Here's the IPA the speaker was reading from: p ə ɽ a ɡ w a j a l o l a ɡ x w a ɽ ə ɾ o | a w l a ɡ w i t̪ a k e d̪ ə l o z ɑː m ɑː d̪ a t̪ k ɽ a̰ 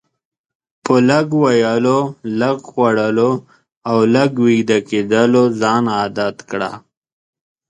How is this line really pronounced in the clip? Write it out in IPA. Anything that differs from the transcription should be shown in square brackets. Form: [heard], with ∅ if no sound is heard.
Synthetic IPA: p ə [l] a ɡ w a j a l o l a ɡ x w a ɽ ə [l] o | a w l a ɡ w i [d̪] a k e d̪ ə l o z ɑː [n] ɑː d̪ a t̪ k ɽ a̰